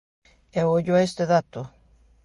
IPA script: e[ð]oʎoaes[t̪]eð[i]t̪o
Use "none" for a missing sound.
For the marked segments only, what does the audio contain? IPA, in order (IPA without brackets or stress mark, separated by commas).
none, t̪, a